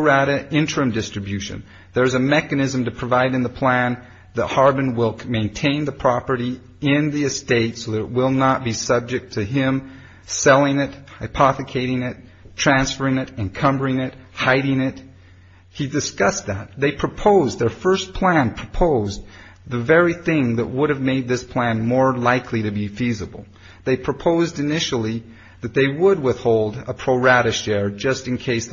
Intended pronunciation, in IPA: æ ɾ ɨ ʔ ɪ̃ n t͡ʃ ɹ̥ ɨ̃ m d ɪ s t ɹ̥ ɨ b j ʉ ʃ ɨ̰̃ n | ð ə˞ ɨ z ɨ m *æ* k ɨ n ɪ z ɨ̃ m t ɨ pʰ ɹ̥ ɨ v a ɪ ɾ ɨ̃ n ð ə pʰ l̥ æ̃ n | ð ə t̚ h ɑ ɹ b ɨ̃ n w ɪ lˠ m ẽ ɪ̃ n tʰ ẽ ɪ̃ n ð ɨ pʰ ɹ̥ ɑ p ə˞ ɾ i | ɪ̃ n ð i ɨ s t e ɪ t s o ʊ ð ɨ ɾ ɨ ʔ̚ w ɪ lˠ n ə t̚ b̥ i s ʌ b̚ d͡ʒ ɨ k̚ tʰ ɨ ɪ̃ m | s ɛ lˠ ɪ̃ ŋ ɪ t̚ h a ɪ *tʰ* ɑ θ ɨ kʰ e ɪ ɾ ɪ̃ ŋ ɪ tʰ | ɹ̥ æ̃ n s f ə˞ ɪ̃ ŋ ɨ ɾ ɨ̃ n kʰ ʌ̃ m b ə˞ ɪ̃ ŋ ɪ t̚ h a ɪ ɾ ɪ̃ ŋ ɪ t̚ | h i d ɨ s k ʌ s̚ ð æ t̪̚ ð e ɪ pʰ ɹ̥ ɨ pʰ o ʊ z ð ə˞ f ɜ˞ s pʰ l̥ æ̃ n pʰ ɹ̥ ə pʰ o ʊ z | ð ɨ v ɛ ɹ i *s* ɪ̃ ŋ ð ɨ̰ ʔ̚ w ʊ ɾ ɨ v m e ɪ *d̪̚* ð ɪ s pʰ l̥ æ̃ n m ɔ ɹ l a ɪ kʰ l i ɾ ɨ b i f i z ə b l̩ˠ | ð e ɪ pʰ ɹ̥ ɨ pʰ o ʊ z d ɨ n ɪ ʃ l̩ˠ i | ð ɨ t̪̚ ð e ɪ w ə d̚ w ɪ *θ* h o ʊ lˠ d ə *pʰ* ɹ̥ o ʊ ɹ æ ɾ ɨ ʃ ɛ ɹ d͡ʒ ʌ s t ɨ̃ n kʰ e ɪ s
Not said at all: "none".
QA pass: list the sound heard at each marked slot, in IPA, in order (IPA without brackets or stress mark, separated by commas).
ɛ, pʰ, θ, d̪̚, θ, pʰ